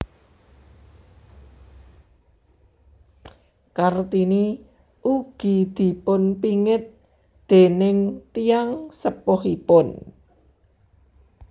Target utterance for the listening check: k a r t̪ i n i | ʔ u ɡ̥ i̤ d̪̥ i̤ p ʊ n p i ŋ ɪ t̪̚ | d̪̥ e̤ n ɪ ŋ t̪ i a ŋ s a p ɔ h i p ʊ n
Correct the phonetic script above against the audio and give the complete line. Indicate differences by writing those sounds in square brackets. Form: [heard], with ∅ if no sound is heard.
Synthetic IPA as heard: k a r t̪ i n i | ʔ u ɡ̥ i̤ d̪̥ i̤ p ʊ n p i ŋ ɪ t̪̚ | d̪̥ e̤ n ɪ ŋ t̪ i a ŋ s [ə] p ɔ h i p ʊ n